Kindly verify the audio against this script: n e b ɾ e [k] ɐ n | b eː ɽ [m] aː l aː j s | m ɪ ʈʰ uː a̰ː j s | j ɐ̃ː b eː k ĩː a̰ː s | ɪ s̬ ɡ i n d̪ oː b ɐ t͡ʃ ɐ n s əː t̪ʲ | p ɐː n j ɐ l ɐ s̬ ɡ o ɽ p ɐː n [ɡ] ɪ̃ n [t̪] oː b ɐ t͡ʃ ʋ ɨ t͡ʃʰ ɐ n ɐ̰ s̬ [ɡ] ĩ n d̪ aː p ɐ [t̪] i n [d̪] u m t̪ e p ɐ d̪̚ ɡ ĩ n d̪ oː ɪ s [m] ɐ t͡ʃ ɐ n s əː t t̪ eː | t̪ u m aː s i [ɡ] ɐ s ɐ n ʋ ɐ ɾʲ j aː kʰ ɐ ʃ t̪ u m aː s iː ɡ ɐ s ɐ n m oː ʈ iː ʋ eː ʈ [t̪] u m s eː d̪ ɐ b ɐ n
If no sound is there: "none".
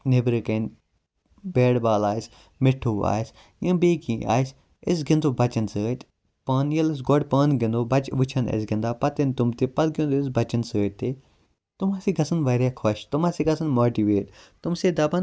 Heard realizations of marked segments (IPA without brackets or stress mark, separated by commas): k, b, ɡ, d̪, ɡ, t̪, t̪, b, ɡ, t̪